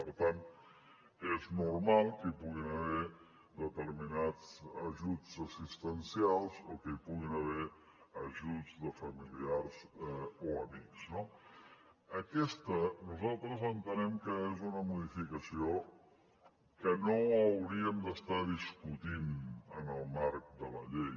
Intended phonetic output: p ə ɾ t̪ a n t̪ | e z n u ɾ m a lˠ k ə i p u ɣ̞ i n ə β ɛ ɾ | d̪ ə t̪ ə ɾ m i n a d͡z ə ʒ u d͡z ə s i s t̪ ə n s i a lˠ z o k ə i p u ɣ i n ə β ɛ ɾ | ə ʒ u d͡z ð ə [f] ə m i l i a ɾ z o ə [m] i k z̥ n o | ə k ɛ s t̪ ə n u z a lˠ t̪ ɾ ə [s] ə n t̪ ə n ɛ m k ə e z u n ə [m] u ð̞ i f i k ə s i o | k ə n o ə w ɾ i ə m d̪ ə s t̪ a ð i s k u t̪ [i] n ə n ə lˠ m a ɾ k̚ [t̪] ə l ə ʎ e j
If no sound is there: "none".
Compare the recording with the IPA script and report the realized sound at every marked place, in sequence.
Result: f, m, z, m, i, d̪

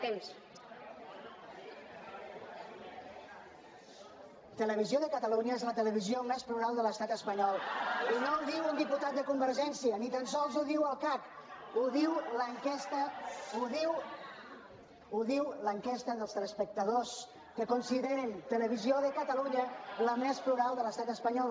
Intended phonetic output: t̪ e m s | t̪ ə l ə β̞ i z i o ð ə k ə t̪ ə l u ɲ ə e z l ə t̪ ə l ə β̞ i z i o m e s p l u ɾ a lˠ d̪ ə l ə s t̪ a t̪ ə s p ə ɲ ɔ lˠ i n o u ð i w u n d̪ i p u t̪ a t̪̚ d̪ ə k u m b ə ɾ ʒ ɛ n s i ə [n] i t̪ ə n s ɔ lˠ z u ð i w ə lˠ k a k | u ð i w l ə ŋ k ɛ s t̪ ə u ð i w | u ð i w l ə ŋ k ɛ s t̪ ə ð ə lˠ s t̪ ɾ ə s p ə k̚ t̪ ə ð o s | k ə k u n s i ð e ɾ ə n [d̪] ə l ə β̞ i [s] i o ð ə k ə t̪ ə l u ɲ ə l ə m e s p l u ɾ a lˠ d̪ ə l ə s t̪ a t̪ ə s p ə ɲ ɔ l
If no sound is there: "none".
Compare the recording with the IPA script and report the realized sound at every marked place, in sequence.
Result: n, t̪, z

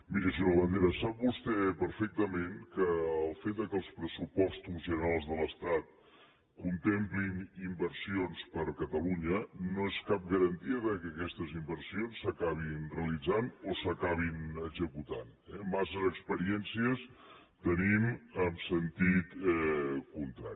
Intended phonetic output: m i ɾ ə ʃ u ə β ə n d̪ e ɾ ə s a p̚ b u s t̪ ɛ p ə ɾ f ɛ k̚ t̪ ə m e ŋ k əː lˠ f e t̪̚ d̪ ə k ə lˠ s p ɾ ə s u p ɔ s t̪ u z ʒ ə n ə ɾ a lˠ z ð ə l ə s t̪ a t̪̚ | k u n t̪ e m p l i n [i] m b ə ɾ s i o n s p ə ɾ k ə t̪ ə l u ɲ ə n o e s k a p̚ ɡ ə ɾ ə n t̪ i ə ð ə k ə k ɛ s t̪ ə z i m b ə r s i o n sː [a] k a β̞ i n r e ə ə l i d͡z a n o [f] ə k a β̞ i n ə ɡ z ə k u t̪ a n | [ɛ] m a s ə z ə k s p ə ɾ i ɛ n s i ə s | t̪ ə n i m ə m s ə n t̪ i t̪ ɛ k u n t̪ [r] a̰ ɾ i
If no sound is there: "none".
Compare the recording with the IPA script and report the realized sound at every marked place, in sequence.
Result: i, ə, s, ɛ, ɾ

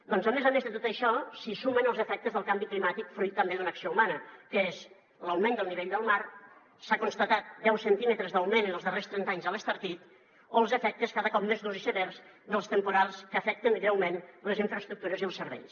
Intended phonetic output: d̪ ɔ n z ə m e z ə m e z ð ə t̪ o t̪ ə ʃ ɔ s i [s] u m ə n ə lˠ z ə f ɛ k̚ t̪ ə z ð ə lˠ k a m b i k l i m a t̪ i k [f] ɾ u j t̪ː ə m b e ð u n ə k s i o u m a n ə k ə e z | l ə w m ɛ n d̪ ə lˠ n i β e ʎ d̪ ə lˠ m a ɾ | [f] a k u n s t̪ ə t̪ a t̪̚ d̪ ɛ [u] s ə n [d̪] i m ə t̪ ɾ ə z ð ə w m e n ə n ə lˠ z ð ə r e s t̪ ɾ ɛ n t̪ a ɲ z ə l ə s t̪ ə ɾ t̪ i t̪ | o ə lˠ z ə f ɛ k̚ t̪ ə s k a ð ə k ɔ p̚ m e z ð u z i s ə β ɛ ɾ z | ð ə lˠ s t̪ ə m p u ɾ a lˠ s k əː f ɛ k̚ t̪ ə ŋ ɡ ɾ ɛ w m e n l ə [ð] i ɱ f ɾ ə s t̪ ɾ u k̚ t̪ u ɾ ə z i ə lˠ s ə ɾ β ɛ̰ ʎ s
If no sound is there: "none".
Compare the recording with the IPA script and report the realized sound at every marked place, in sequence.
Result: s, f, s, w, t̪, z

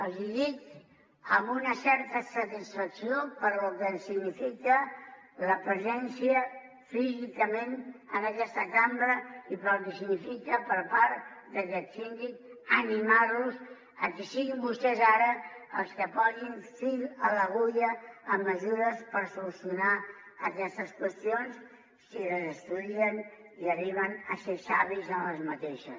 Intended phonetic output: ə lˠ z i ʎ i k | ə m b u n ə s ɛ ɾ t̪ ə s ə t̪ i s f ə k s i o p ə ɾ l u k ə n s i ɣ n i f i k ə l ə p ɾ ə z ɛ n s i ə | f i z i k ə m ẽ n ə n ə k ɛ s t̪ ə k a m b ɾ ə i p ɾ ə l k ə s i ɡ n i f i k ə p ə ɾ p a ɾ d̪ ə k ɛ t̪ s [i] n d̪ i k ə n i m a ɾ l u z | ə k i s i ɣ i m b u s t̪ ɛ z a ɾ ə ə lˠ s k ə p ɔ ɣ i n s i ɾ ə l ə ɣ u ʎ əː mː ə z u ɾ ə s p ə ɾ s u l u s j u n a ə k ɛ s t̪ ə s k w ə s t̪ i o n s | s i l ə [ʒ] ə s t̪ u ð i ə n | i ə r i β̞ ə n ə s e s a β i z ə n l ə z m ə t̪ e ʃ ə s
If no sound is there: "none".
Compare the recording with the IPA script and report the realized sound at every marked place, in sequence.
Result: i, z

